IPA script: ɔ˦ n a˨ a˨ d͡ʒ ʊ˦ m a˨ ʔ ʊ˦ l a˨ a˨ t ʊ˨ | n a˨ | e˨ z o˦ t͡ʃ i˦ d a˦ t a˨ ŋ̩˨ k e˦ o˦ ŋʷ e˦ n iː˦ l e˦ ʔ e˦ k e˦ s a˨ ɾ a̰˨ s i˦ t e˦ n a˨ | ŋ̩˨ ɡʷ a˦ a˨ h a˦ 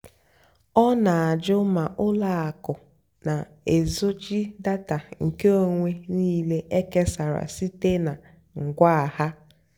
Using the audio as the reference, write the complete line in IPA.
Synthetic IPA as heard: ɔ˦ n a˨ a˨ d͡ʒ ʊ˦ m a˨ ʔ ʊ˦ l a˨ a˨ k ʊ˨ | n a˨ | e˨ z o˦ t͡ʃ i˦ d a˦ t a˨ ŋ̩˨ k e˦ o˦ ŋʷ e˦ n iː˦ l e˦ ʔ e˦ k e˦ s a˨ ɾ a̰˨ s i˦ t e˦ n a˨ | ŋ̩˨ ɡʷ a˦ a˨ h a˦